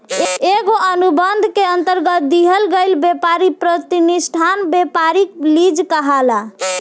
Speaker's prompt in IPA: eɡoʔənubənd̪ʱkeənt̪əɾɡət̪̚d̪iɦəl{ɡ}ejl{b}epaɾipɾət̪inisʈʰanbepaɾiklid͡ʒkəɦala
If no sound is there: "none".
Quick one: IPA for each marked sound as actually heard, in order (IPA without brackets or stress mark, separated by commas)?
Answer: ɡ, b